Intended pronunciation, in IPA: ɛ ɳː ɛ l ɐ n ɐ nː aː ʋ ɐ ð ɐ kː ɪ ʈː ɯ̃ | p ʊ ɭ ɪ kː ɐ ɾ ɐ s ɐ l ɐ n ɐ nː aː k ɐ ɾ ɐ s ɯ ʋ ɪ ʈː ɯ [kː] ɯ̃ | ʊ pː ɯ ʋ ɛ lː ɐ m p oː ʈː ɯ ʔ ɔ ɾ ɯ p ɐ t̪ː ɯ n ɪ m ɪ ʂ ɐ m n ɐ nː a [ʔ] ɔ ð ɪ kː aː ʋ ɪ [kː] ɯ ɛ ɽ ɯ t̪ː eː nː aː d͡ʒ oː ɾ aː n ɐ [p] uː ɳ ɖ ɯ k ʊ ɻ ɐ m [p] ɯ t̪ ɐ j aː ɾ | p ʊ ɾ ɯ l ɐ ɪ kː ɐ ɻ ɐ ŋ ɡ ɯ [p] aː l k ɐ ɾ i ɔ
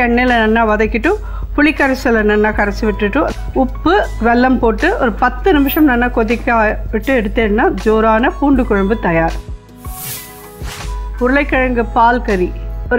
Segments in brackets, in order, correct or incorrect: incorrect: ʈː, incorrect: k, incorrect: ʈː, correct, incorrect: b, correct

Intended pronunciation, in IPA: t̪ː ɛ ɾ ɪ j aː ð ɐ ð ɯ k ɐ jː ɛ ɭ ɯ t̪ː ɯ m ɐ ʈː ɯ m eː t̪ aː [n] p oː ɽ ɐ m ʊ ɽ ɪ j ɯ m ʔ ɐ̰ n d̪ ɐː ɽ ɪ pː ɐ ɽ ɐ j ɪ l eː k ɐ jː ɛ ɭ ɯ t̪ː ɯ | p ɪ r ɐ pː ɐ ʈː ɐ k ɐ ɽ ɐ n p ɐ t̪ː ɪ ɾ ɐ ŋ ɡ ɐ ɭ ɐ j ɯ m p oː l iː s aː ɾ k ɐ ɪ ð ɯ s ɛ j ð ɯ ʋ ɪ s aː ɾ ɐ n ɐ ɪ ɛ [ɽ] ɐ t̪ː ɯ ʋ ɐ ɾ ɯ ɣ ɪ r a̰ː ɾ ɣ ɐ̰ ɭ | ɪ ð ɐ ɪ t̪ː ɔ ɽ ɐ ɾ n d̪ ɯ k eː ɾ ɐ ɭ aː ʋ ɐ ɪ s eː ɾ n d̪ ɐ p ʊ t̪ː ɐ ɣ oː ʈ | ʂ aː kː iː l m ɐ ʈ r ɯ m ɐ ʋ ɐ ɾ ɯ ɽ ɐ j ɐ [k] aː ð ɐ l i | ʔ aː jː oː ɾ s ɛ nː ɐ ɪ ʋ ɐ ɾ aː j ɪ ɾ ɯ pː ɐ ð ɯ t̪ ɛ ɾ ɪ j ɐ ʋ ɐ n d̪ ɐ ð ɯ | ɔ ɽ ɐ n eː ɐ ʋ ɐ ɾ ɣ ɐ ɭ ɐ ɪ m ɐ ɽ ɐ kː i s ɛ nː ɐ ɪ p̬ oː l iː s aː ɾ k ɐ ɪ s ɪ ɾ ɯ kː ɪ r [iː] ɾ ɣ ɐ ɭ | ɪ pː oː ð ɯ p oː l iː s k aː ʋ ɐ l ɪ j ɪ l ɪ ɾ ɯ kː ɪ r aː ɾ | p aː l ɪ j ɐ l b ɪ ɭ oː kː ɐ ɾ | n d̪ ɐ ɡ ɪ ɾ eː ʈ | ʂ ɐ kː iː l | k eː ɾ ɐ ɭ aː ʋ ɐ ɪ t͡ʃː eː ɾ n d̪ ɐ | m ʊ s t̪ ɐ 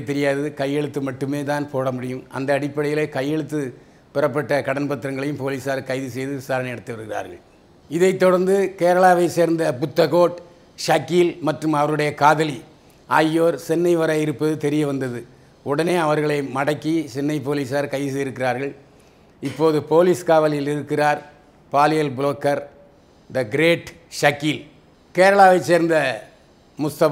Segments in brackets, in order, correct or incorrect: correct, correct, correct, incorrect: aː

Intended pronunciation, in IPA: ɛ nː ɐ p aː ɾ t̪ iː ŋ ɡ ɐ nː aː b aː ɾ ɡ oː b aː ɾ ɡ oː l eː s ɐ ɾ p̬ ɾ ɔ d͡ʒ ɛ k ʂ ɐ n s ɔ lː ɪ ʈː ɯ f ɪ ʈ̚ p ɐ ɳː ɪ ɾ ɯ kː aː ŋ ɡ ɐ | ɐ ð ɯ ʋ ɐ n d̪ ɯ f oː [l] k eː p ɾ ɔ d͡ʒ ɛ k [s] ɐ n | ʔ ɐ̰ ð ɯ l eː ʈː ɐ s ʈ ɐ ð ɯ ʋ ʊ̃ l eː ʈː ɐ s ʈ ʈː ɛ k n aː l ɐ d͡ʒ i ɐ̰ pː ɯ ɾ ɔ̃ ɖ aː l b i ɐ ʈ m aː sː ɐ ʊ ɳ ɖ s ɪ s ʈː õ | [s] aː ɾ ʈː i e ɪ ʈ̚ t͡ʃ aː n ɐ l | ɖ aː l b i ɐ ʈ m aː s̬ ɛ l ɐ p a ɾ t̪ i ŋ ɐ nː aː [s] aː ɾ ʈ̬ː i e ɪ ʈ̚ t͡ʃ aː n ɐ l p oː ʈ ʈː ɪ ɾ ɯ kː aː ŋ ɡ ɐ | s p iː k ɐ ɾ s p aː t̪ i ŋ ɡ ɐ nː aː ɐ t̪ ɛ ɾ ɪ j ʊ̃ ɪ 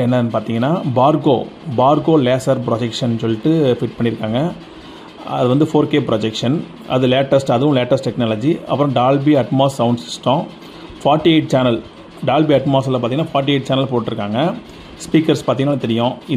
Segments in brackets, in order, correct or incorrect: incorrect: ɾ, incorrect: ʂ, incorrect: f, incorrect: f

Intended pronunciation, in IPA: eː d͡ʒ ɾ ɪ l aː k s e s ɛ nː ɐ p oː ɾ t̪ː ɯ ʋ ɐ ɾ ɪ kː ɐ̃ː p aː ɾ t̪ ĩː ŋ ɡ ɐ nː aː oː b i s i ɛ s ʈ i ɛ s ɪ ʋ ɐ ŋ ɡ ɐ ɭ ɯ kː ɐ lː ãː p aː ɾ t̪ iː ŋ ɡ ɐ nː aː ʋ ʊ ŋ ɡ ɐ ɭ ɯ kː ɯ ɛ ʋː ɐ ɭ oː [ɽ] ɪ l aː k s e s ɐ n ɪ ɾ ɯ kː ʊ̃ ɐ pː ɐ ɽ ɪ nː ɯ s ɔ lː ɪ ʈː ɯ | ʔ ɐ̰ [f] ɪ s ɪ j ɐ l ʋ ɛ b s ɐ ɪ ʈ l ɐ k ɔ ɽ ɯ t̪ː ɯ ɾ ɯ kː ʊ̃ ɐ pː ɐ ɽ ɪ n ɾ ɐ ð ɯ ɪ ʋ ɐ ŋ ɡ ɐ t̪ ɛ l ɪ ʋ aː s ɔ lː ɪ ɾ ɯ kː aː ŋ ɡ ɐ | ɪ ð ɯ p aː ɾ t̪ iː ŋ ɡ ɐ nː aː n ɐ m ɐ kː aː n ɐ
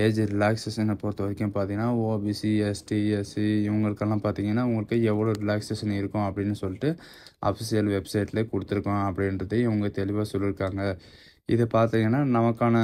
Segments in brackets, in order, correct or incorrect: incorrect: ɾ, correct

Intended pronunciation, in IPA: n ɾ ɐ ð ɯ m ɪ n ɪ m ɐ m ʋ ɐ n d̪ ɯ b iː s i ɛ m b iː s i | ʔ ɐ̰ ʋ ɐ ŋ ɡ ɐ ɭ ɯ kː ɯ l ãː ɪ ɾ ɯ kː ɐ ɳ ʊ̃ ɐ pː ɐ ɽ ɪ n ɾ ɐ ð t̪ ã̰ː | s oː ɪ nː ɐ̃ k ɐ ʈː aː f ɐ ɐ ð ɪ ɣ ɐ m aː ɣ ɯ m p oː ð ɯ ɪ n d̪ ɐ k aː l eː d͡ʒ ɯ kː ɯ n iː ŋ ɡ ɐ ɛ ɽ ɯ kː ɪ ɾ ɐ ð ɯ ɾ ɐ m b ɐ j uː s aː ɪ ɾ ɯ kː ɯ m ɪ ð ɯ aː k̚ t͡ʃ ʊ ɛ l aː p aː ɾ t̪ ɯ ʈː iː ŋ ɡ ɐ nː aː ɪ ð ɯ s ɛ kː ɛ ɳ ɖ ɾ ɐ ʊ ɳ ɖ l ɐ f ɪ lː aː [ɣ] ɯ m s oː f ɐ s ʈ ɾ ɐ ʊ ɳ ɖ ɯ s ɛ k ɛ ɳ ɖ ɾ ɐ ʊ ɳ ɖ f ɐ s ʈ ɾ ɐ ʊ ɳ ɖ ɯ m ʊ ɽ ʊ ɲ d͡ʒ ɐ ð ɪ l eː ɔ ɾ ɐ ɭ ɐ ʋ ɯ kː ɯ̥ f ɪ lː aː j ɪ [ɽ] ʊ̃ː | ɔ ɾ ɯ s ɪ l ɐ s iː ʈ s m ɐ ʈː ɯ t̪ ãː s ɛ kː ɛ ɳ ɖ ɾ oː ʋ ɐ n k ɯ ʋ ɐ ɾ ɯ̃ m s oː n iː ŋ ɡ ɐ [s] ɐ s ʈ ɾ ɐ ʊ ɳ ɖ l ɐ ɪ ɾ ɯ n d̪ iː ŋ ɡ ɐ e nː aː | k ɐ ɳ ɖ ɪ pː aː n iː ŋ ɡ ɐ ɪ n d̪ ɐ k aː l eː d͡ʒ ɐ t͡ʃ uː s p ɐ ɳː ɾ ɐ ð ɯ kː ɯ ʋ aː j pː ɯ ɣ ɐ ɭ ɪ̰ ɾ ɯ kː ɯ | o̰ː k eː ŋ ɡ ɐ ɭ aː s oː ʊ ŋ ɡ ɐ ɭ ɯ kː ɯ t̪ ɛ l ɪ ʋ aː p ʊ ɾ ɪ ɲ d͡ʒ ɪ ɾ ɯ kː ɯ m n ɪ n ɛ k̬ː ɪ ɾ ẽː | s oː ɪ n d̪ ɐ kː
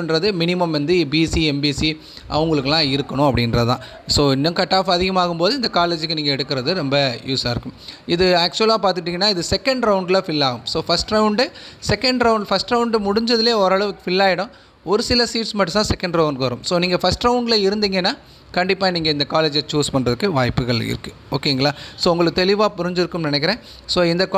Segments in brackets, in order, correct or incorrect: correct, correct, incorrect: f

